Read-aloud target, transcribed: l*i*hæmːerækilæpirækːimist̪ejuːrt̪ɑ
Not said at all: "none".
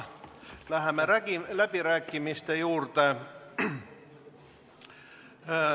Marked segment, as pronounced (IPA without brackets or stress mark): æ